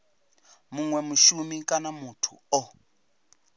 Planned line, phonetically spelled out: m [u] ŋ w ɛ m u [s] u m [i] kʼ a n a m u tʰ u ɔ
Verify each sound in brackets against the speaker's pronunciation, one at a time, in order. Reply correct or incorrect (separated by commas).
correct, incorrect, correct